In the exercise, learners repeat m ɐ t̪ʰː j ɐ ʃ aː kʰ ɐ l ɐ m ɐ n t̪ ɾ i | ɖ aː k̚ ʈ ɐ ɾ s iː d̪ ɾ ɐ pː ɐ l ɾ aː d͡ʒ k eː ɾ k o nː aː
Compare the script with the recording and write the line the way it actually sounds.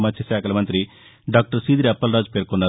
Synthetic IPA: m ɐ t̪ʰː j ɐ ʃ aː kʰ ɐ l ɐ m ɐ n t̪ ɾ i | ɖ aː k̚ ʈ ɐ ɾ s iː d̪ ɾ ɐ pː ɐ l ɾ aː d͡ʒ p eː ɾ k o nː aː